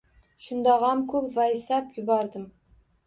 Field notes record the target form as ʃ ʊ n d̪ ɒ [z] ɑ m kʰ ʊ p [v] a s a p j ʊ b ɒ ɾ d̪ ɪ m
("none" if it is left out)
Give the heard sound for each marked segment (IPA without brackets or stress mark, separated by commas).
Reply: ʁ, v